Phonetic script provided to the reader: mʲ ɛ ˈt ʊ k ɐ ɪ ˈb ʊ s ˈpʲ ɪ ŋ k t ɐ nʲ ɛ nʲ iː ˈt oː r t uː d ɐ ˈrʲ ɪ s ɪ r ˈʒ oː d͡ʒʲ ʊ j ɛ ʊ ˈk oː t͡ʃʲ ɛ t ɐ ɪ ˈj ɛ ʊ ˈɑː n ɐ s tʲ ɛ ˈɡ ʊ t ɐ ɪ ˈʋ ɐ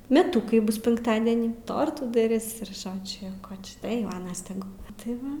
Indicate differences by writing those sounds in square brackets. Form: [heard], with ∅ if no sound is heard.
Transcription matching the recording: mʲ ɛ ˈt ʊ k ɐ ɪ ˈb ʊ s ˈpʲ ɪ ŋ k t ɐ [dʲ] ɛ nʲ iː ˈt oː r t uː d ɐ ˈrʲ ɪ s ɪ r ˈʒ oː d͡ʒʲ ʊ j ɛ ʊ ˈk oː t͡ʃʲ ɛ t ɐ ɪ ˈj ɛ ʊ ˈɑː n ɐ s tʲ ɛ ˈɡ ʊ t ɐ ɪ ˈʋ ɐ